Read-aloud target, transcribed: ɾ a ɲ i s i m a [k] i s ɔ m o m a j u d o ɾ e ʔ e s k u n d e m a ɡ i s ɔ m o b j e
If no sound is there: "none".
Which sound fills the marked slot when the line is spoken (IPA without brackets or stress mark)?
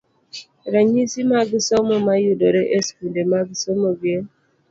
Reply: ɡ